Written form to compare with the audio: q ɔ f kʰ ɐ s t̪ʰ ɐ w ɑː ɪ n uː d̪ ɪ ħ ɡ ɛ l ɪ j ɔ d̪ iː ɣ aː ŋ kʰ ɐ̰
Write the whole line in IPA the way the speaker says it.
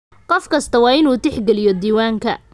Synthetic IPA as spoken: q ɔ f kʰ ɐ s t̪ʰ ɐ w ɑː ɪ n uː t̪ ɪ ħ ɡ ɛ l ɪ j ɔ d̪ iː w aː ŋ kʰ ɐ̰